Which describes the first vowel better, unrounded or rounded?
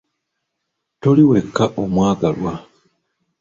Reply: rounded